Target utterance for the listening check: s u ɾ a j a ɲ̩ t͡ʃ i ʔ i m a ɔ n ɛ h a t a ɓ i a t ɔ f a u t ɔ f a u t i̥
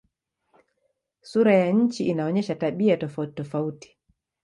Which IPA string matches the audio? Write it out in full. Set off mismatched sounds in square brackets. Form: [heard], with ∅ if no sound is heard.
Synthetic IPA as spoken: s u ɾ a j a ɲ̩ t͡ʃ i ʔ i [n] a ɔ [ɲ] ɛ [ʃ] a t a ɓ i a t ɔ f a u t ɔ f a u t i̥